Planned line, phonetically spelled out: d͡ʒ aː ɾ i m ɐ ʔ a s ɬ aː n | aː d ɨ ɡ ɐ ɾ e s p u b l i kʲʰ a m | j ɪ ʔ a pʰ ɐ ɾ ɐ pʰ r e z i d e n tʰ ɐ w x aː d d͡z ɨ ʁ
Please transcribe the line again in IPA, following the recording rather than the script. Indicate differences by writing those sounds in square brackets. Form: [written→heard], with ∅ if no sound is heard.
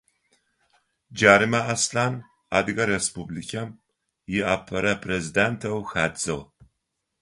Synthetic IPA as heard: d͡ʒ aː ɾ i m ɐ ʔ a s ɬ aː n | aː d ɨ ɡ ɐ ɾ e s p u b l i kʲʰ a m | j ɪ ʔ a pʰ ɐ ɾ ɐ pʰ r e z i d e n tʰ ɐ w x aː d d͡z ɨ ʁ